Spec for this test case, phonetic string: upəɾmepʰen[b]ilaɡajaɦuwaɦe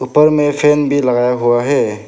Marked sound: correct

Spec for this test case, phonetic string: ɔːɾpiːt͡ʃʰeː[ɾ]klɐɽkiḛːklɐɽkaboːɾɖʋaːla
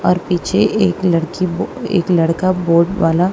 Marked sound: incorrect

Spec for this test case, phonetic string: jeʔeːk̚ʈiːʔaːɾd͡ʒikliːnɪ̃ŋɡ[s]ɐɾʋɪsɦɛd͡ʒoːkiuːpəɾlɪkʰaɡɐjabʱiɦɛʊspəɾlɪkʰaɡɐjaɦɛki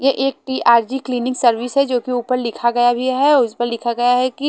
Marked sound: correct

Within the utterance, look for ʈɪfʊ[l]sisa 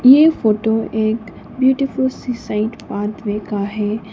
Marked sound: correct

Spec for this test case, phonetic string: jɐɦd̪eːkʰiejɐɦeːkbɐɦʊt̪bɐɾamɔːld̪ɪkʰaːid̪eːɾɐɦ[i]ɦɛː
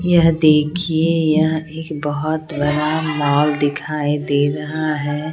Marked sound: incorrect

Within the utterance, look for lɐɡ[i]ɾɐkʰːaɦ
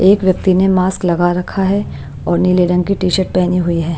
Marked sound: incorrect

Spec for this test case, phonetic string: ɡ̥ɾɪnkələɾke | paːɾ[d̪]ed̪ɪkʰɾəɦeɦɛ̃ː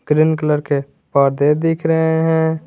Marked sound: correct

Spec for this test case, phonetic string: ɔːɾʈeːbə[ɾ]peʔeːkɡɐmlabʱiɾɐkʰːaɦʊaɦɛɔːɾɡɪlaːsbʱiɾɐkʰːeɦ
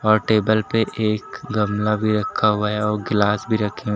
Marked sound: incorrect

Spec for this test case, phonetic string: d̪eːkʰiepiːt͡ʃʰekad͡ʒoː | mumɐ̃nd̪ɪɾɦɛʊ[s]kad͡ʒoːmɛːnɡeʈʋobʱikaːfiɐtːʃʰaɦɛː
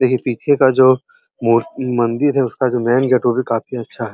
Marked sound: correct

